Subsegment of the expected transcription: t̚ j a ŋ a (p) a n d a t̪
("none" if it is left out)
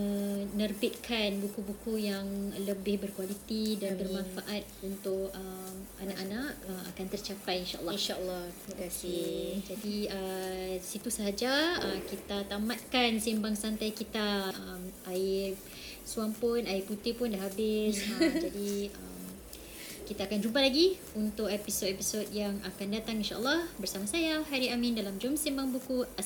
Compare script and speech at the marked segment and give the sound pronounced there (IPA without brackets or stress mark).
k